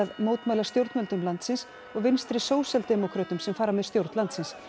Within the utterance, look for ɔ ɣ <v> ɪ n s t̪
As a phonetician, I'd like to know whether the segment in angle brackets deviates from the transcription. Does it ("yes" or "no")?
no